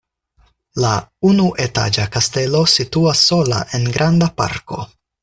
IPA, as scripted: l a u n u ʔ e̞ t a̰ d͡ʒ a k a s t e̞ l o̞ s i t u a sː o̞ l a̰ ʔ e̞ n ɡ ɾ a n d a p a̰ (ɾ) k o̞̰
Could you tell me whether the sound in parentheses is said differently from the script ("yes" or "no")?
no